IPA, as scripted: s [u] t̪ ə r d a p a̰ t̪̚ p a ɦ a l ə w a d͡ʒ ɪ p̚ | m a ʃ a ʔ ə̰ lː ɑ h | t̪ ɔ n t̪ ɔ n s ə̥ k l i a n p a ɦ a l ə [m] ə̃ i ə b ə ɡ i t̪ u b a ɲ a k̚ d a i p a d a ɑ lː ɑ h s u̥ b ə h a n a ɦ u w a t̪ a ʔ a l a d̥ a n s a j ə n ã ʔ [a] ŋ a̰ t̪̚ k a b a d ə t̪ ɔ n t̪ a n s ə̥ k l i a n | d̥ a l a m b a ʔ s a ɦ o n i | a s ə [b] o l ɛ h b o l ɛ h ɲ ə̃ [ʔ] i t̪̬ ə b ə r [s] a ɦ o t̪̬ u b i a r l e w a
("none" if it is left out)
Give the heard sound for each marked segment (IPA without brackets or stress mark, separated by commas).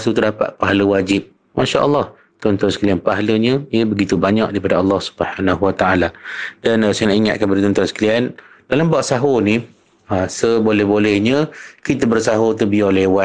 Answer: u, ɲ, i, b, k, s